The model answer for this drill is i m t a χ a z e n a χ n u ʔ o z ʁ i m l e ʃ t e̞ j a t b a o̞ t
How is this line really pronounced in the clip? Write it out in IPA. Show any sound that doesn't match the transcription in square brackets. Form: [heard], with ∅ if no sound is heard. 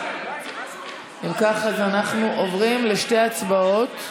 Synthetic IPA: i m [k] a χ a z [a] n a χ n u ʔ o [v] ʁ i m l e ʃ t e̞ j a [t͡s] b a o̞ t